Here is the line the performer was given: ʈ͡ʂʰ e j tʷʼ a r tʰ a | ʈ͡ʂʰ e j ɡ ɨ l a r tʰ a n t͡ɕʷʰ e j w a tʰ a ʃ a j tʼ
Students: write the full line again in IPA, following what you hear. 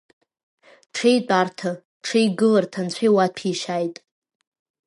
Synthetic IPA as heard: ʈ͡ʂʰ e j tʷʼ a r tʰ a | ʈ͡ʂʰ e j ɡ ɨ l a r tʰ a n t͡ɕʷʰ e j w a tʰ i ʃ a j tʼ